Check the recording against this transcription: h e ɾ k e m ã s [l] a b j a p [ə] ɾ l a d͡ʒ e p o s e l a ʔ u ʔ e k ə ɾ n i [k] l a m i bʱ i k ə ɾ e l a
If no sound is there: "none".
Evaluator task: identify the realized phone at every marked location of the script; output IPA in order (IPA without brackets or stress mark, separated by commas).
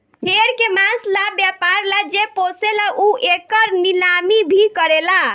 l, a, none